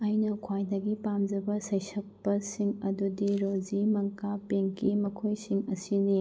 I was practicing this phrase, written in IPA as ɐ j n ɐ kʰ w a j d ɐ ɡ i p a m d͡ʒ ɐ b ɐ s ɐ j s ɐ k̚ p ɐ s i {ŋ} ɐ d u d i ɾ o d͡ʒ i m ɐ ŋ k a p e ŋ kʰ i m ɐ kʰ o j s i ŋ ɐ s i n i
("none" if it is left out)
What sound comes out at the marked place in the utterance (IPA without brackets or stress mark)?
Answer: ŋ